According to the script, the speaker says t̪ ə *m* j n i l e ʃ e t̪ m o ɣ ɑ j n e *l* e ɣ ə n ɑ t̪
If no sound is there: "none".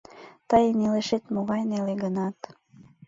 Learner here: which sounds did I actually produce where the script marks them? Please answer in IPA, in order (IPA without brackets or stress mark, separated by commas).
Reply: none, l